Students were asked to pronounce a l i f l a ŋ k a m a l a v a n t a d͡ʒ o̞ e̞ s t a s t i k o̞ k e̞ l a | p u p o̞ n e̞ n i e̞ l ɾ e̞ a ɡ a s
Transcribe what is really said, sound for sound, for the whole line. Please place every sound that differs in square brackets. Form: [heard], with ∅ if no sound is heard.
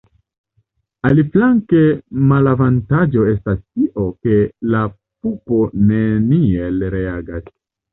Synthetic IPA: a l i f l a ŋ k [e] m a l a v a n t a d͡ʒ o̞ e̞ s t a s t i [ʔ] o̞ k e̞ l a | p u p o̞ n e̞ n i e̞ l ɾ e̞ a ɡ a s